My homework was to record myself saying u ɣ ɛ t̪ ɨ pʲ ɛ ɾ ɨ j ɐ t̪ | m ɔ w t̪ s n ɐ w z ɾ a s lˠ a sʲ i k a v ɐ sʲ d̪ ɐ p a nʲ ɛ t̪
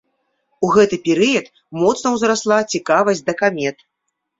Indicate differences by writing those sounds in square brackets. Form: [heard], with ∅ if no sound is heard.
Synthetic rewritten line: u ɣ ɛ t̪ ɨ pʲ ɛ ɾ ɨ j ɐ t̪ | m ɔ [∅] t̪ s n ɐ w z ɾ a s lˠ a [t͡sʲ] i k a v ɐ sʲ d̪ ɐ [k] a [mʲ] ɛ t̪